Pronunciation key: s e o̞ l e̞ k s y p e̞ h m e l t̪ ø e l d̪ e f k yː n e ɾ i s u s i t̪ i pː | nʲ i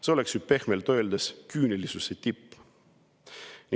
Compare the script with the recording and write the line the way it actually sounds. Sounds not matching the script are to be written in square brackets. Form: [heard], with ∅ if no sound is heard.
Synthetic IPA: s e o̞ l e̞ k s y p e̞ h m e l t̪ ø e l d̪ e [s] k yː n e [l] i s u s [e] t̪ i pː | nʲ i